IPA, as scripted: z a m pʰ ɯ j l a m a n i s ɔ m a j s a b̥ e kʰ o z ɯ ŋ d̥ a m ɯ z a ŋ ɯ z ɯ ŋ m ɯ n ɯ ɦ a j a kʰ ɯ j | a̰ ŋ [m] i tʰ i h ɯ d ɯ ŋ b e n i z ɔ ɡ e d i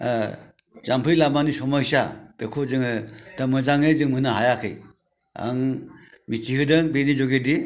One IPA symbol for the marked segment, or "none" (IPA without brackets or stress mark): m